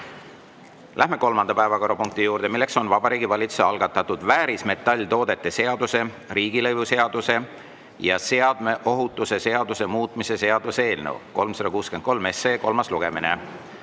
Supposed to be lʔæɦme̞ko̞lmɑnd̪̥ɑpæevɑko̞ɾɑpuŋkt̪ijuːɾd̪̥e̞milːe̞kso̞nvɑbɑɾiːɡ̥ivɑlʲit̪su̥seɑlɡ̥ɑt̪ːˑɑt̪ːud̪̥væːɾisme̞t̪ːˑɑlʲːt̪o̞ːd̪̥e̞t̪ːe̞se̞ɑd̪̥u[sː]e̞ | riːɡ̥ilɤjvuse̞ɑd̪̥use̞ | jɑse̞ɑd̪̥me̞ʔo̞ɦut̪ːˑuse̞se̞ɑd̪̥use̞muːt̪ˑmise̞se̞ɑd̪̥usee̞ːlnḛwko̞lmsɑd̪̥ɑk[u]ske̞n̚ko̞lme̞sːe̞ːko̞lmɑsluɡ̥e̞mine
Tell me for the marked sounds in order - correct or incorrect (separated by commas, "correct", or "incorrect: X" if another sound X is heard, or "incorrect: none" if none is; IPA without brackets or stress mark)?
incorrect: s, incorrect: uː